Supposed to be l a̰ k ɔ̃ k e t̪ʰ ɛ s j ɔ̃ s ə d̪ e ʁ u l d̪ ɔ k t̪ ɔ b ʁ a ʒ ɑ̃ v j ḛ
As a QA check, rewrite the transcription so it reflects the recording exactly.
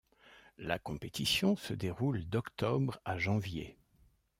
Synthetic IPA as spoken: l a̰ k ɔ̃ p e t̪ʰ i s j ɔ̃ s ə d̪ e ʁ u l d̪ ɔ k t̪ ɔ b ʁ a ʒ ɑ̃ v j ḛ